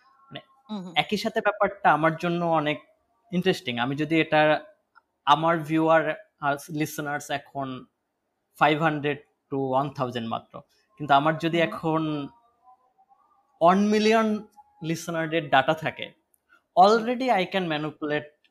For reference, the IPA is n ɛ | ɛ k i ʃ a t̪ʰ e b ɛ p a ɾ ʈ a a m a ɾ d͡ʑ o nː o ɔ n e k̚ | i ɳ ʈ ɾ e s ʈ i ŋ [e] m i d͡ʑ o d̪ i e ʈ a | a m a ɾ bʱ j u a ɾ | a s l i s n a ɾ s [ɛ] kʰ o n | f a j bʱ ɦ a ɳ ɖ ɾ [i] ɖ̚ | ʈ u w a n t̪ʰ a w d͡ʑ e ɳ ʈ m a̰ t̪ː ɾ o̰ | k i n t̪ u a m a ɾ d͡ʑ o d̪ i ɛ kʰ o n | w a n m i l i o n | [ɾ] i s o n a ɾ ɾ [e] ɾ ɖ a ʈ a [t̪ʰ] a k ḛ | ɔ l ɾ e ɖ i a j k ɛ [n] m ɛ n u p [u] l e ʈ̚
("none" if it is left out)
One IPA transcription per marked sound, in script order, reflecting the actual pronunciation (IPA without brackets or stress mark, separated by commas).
a, ɛ, e, l, e, t̪ʰ, n, u